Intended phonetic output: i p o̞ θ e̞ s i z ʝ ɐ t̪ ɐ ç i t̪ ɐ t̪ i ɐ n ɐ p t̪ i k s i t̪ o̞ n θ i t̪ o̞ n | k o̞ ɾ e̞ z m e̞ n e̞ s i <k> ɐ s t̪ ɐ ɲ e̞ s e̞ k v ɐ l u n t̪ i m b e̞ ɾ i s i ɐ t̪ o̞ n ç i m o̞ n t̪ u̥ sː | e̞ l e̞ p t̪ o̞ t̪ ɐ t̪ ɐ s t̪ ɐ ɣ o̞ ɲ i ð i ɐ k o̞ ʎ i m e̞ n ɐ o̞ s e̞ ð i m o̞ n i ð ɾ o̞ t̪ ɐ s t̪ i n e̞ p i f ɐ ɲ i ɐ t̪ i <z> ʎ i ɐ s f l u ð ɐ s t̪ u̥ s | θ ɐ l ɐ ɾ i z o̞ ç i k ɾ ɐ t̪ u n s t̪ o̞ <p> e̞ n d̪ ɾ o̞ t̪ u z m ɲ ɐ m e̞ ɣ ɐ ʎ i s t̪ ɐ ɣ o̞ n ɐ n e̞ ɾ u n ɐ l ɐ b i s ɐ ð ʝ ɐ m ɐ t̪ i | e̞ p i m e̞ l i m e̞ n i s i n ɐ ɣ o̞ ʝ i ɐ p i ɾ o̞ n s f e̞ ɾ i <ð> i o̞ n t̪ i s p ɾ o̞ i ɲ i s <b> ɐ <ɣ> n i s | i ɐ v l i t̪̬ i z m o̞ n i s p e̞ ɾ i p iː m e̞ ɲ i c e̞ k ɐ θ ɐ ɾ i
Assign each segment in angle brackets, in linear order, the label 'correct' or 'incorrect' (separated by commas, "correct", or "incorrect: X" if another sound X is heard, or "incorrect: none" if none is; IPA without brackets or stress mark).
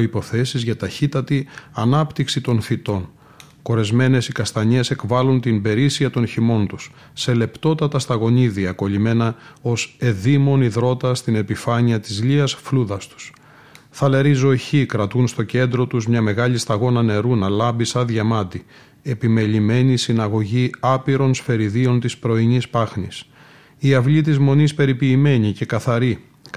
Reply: correct, correct, incorrect: c, correct, incorrect: p, incorrect: x